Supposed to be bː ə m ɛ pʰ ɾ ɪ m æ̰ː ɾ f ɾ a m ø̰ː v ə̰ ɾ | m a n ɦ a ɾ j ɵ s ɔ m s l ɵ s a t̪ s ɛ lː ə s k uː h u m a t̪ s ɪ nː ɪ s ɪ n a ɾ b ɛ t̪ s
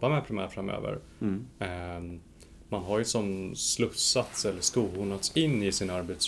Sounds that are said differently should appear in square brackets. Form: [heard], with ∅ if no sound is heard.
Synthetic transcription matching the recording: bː [a] m ɛ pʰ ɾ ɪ m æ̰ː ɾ f ɾ a m ø̰ː v ə̰ ɾ | m a n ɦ a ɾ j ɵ s ɔ m s l ɵ s a t̪ s ɛ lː ə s k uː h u [n] a t̪ s ɪ nː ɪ s ɪ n a ɾ b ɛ t̪ s